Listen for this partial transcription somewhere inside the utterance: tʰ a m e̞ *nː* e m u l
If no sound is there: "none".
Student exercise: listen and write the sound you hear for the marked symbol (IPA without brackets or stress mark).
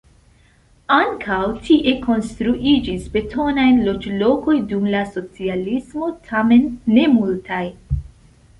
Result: nː